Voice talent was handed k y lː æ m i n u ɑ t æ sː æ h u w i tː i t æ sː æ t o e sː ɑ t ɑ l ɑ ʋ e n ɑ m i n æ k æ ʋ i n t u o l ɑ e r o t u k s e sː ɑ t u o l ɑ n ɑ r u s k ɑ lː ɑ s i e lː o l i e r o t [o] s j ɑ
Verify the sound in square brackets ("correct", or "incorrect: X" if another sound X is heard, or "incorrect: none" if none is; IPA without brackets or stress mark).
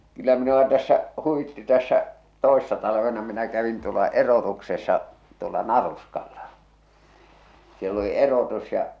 incorrect: u